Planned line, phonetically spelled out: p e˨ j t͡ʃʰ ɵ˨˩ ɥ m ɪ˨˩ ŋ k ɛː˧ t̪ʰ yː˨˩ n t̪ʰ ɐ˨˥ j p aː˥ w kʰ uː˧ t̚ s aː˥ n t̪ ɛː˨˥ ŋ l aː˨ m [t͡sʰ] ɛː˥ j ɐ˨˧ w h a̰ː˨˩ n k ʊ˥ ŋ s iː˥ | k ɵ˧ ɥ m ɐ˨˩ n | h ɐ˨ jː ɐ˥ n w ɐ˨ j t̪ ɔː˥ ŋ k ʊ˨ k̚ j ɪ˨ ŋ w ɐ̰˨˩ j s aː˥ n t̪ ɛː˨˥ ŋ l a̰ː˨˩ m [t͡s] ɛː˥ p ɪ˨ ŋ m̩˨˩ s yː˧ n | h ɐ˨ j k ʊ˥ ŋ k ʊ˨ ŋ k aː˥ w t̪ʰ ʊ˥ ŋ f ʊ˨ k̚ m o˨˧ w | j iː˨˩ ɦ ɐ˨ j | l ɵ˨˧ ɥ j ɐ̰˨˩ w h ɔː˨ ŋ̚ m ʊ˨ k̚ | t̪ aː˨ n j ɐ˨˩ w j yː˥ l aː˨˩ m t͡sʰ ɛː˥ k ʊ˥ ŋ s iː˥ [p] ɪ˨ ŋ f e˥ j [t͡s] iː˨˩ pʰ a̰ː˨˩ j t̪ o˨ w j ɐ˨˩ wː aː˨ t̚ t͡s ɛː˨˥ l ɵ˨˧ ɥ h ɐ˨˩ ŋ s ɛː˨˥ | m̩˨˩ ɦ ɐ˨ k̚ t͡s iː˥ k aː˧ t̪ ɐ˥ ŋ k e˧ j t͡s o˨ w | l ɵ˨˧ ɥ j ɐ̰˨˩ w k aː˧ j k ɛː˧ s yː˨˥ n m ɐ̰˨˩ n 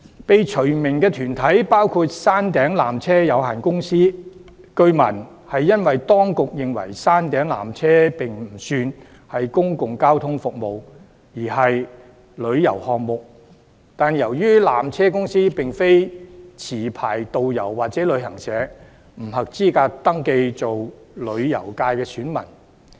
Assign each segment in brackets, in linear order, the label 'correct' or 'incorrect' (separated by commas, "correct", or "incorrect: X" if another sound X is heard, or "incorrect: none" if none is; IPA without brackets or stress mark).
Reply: correct, incorrect: t͡sʰ, correct, incorrect: t͡sʰ